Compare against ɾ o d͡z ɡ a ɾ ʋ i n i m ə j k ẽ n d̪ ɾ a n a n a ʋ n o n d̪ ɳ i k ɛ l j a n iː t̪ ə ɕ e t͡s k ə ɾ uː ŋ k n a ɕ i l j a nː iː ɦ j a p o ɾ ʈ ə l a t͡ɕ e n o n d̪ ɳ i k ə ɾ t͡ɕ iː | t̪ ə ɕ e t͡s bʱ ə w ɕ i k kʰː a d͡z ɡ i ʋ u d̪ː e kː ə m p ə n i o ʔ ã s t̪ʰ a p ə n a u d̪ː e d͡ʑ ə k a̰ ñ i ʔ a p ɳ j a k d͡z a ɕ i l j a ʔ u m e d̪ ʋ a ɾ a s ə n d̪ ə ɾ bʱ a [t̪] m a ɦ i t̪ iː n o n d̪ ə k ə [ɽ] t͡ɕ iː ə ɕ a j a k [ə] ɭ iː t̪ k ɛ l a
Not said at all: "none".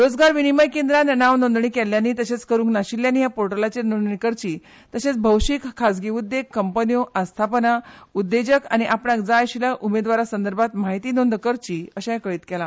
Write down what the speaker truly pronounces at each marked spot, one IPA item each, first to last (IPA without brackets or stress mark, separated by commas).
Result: t̪, ɾ, ə